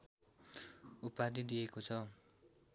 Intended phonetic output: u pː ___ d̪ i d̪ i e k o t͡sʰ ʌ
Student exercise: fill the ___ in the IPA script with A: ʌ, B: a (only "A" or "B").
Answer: B